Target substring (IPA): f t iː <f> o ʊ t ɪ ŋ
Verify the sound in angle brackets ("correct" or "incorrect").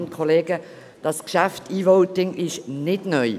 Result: incorrect